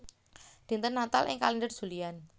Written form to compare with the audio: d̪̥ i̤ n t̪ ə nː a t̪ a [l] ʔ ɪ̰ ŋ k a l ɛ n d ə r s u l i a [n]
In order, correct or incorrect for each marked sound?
correct, correct

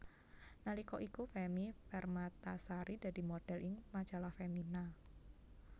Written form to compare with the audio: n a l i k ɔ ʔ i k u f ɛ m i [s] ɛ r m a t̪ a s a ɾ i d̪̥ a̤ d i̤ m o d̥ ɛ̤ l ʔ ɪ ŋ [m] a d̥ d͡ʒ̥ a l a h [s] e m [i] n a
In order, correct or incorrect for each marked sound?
incorrect, correct, incorrect, correct

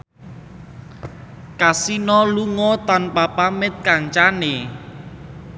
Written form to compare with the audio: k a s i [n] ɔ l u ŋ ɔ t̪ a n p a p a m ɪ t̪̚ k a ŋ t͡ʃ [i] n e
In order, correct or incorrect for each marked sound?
correct, incorrect

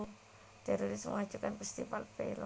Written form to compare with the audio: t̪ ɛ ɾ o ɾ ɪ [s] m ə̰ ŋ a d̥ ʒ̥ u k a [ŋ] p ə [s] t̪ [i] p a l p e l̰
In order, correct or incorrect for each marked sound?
correct, incorrect, correct, correct

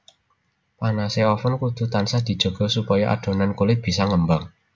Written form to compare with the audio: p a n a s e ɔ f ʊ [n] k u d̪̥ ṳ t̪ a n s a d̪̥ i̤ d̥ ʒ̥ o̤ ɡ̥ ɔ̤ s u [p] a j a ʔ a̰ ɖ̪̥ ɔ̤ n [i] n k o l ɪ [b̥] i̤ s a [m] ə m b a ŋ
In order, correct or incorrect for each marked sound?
correct, correct, incorrect, correct, incorrect

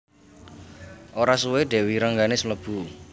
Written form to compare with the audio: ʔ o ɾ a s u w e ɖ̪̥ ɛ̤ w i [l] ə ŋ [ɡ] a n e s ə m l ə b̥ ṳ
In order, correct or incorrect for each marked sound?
incorrect, correct

